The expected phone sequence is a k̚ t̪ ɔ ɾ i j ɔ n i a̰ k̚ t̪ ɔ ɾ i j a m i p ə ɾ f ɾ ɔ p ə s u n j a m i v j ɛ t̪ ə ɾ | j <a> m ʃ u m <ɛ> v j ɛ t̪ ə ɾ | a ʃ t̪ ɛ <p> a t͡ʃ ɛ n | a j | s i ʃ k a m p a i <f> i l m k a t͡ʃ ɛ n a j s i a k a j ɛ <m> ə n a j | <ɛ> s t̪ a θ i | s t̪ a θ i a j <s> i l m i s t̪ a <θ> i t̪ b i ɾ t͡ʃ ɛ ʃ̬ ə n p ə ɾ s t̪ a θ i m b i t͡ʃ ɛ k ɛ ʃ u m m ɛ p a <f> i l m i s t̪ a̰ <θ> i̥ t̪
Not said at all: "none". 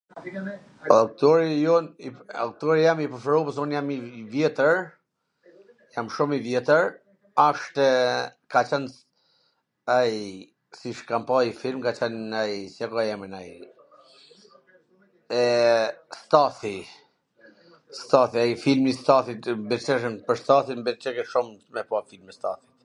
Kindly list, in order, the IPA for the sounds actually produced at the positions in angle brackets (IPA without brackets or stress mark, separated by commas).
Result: a, i, k, f, m, ɛ, f, θ, f, θ